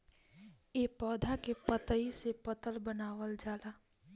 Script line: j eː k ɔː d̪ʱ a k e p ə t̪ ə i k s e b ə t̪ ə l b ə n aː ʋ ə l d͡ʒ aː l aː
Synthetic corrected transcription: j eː p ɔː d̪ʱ a k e p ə t̪ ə i s e p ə t̪ ə l b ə n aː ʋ ə l d͡ʒ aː l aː